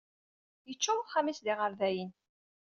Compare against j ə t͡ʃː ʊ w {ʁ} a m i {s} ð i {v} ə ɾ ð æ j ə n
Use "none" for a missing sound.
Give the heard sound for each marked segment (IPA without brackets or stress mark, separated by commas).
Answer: χ, s, ʁ